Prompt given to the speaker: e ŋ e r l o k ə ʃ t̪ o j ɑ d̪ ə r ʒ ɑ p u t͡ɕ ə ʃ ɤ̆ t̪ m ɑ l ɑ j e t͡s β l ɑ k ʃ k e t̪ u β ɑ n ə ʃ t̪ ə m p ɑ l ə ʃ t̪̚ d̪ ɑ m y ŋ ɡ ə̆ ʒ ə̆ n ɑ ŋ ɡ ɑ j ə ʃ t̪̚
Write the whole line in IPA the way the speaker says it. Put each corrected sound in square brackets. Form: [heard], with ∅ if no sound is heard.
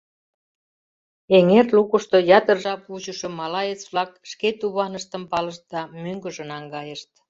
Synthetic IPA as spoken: e ŋ e r l [u] k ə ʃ t̪ o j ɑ [t̪] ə r ʒ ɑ p u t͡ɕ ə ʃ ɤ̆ [∅] m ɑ l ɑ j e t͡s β l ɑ k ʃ k e t̪ u β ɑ n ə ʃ t̪ ə m p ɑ l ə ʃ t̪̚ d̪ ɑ m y ŋ ɡ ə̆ ʒ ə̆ n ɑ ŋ ɡ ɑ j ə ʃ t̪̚